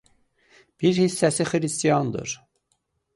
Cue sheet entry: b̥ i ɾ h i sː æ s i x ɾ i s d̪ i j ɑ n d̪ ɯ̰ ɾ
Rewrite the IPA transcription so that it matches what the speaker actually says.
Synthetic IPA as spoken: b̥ i ɾ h i sː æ s i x ɾ i s t̪ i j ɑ n d̪ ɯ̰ ɾ